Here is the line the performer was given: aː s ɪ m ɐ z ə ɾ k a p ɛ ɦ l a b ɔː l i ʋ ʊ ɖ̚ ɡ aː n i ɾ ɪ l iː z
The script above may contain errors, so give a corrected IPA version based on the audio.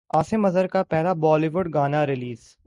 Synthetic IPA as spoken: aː s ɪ m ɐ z ə ɾ k a p ɛ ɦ l a b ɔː l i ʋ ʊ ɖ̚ ɡ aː n a ɾ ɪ l iː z

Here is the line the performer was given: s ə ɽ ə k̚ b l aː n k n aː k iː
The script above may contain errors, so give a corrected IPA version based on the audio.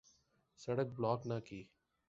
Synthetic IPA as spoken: s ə ɽ ə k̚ b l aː k n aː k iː

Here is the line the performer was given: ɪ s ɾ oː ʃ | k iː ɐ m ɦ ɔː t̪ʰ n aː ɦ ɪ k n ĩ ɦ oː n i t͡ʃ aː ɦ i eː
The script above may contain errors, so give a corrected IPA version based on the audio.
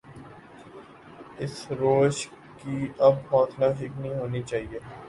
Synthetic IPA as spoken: ɪ s ɾ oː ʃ | k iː ɐ b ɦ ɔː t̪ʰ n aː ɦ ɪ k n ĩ ɦ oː n i t͡ʃ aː ɦ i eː

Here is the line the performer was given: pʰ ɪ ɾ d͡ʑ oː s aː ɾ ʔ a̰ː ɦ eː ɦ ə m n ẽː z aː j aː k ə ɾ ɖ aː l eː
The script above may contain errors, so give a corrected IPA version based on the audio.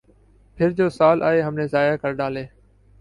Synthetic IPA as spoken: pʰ ɪ ɾ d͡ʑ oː s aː l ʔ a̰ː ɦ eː ɦ ə m n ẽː z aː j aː k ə ɾ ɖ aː l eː

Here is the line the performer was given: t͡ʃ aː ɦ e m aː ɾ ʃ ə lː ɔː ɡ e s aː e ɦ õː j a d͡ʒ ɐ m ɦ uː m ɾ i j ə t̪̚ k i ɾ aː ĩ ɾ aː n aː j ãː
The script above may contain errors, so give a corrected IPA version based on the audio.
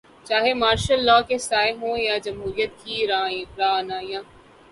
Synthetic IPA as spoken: t͡ʃ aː ɦ e m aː ɾ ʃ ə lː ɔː k e s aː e ɦ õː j a d͡ʒ ɐ m ɦ uː ɾ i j ə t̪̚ k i ɾ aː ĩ ɾ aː n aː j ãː

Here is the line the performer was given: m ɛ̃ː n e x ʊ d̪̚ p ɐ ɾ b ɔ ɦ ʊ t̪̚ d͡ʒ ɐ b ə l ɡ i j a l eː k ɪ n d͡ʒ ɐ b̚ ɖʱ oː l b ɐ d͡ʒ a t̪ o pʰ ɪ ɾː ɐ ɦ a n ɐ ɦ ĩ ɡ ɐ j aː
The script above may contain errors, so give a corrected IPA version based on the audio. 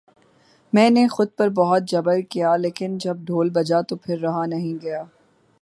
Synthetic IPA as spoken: m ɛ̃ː n e x ʊ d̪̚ p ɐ ɾ b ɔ ɦ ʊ t̪̚ d͡ʒ ɐ b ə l k i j a l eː k ɪ n d͡ʒ ɐ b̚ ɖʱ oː l b ɐ d͡ʒ a t̪ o pʰ ɪ ɾː ɐ ɦ a n ɐ ɦ ĩ ɡ ɐ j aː

